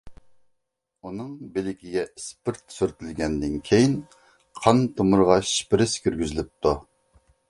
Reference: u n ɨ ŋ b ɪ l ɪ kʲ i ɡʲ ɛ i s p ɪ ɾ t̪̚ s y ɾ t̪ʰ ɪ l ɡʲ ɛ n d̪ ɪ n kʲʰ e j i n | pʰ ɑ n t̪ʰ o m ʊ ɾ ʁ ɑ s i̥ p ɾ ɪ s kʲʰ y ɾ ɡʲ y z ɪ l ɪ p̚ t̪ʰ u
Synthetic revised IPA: u n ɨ ŋ b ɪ l ɪ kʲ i ɡʲ ɛ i s p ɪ ɾ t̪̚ s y ɾ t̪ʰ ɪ l ɡʲ ɛ n d̪ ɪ n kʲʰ e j i n | qʰ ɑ n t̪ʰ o m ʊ ɾ ʁ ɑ ʃ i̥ p ɾ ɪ s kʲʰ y ɾ ɡʲ y z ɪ l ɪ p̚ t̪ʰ u